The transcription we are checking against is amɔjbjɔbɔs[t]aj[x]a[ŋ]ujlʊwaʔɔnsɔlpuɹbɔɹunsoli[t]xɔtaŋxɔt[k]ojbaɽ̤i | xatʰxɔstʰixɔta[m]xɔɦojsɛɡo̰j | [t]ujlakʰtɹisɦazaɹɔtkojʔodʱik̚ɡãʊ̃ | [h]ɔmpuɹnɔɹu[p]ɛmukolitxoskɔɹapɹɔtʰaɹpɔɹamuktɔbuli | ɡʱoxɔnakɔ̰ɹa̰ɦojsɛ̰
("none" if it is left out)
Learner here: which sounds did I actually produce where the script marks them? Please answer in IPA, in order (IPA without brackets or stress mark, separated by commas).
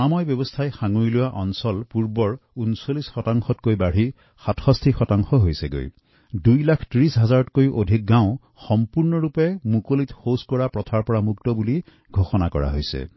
tʰ, x, ŋ, s, k, ŋ, d, x, p